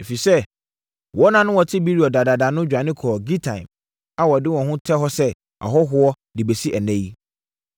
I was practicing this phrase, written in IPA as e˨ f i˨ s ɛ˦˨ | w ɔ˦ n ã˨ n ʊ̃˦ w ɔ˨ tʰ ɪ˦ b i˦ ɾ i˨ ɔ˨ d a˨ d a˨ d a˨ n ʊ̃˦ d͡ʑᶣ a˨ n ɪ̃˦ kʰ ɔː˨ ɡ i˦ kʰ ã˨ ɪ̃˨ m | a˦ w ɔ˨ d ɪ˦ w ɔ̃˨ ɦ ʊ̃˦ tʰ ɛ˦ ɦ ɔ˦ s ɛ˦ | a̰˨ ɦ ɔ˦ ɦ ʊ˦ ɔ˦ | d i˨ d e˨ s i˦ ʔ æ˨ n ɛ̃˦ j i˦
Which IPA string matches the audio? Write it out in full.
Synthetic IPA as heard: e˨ f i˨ s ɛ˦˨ | w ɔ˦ n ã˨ n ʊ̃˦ w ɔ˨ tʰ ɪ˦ b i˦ ɾ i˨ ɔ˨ d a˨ d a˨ d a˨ n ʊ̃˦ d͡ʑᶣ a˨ n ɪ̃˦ kʰ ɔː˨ ɡ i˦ tʰ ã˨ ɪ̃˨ m | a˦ w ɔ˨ d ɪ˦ w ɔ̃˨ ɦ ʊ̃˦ tʰ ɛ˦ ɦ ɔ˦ s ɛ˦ | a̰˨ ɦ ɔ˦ ɦ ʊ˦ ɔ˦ | d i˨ b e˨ s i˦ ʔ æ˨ n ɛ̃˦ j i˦